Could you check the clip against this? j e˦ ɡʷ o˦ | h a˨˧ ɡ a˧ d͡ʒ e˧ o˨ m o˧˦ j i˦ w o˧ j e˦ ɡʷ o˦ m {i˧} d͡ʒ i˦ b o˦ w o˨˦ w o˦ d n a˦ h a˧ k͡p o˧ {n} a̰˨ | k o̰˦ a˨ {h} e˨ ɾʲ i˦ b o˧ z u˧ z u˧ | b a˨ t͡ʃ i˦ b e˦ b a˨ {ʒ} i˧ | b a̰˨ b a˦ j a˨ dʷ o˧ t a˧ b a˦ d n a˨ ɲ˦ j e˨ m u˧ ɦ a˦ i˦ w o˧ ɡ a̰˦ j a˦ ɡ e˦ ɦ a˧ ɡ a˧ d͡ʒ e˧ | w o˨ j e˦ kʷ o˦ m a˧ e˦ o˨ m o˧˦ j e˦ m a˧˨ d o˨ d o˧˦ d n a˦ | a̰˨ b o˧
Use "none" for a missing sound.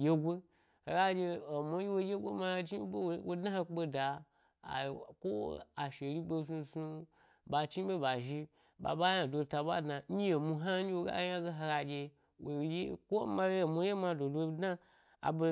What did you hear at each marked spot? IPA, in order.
a˧, d, ʃ, ʒ

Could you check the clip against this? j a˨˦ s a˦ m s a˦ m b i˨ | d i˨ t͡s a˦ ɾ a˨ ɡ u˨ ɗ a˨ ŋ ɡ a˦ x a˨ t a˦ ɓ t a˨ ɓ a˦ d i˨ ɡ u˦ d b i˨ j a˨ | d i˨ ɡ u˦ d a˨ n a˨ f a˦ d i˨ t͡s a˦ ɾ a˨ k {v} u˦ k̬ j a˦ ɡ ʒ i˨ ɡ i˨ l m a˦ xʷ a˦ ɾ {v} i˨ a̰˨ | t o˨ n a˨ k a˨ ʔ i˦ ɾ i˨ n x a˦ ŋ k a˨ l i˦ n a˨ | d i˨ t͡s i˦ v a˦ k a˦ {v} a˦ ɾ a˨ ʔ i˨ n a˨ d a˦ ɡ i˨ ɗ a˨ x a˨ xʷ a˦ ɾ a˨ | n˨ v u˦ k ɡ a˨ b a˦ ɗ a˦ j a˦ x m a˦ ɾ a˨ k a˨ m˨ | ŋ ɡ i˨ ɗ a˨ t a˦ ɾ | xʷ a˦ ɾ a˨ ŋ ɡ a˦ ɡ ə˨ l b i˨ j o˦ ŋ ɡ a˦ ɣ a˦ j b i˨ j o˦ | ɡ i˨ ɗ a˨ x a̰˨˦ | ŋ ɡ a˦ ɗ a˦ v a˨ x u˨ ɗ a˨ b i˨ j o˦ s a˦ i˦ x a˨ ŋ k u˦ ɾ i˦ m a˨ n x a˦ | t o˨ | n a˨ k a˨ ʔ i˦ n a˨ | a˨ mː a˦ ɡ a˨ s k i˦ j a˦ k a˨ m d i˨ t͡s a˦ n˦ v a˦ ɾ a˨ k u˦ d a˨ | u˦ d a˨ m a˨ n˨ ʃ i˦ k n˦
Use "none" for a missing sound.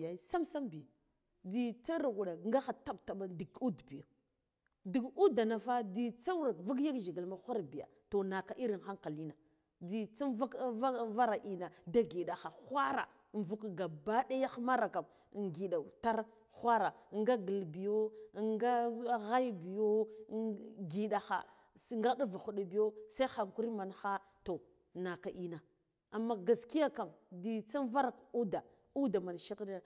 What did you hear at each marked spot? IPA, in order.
v, b, v

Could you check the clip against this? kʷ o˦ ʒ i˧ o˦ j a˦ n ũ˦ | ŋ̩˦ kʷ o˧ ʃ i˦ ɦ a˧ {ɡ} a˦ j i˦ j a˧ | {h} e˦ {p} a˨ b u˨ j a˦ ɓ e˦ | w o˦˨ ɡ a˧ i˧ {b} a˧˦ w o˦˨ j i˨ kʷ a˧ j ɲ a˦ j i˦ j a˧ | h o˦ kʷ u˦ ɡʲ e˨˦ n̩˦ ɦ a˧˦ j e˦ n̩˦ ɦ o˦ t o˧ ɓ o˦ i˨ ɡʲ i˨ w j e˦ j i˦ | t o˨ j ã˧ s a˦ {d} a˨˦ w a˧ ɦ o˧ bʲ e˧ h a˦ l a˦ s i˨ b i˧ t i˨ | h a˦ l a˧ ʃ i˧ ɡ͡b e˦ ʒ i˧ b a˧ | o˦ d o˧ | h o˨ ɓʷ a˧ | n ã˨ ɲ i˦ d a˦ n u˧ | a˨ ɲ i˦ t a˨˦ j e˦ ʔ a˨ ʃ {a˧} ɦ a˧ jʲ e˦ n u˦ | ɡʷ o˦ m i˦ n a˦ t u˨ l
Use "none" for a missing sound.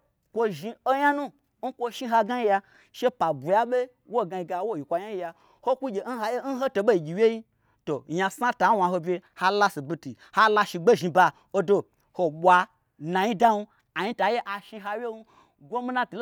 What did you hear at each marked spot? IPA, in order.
ɡ, ʃ, p, ɡ, t, i˧

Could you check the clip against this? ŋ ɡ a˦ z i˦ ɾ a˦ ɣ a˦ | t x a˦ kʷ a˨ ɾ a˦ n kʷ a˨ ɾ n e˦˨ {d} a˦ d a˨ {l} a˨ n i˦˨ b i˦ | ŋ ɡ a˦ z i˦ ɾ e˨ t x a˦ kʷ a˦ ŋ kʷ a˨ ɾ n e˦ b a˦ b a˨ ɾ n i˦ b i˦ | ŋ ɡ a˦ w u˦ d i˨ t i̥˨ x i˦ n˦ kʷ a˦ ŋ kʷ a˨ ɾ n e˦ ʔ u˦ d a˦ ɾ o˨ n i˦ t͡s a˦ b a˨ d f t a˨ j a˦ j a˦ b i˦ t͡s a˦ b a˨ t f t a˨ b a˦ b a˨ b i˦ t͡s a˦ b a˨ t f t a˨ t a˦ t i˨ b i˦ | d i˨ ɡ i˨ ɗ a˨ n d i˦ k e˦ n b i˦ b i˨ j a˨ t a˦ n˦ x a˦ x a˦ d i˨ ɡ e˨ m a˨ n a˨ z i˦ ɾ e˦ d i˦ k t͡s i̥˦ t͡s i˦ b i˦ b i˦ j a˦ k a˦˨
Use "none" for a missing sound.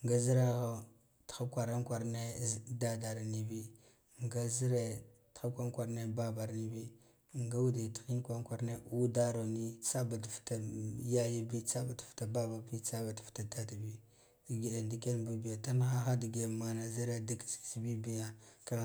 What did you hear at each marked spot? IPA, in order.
d, ɾ

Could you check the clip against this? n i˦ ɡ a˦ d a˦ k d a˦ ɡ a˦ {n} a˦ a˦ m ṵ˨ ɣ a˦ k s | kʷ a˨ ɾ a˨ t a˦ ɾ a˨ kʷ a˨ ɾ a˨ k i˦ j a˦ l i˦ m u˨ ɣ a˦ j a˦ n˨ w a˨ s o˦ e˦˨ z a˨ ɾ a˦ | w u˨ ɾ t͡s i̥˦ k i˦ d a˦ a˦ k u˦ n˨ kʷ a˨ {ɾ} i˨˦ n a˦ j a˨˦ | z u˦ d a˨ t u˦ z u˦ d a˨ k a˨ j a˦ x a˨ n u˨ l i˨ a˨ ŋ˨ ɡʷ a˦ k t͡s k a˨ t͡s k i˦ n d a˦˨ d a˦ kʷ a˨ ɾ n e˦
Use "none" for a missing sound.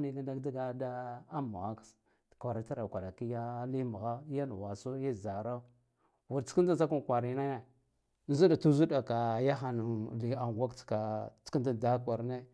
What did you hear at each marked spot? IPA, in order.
d, ɾ

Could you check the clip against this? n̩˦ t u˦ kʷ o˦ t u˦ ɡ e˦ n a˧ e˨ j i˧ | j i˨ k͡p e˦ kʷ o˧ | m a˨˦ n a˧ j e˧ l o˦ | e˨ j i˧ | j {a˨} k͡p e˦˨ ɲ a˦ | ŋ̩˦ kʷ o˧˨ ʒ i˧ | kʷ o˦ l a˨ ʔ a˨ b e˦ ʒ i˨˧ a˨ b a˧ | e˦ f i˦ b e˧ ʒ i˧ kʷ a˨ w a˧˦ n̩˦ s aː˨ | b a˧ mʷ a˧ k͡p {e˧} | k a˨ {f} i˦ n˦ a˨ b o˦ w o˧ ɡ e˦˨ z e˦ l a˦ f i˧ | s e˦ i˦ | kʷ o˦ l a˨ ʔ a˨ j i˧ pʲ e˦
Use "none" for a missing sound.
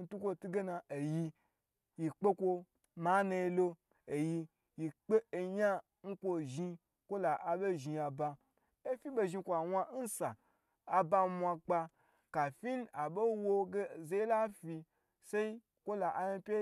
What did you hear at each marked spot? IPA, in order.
i˨, a˧, f

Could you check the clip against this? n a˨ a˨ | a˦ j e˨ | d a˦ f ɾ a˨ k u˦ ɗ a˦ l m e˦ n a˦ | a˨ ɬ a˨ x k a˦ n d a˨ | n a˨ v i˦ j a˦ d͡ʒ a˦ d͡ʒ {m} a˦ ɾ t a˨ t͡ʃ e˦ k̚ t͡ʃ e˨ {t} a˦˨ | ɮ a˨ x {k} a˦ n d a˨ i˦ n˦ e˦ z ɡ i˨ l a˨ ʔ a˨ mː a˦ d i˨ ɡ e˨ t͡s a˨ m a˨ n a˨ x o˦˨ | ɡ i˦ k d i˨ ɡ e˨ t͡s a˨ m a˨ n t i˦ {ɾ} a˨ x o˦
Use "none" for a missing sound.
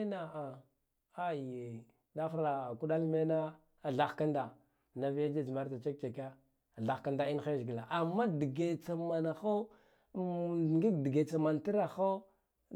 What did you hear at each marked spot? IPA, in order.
m, k, k, ɾ

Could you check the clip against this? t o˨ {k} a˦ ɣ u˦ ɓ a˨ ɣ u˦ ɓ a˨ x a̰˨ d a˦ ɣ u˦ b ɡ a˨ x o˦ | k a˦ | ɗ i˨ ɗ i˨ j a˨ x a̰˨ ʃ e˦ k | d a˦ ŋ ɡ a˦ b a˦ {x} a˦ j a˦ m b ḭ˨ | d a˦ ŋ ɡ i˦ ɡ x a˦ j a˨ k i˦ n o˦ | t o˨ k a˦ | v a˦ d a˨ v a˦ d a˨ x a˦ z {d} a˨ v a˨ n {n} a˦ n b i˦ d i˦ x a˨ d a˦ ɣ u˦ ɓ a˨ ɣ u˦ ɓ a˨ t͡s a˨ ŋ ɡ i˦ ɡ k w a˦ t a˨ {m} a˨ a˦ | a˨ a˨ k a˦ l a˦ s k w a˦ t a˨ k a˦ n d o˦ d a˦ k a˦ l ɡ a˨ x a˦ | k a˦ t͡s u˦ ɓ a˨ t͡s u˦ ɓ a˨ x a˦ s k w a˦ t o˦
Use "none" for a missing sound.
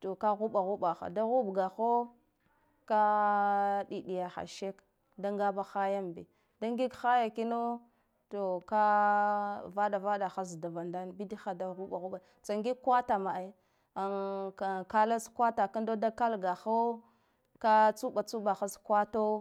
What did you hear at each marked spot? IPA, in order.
k, x, d, d, m

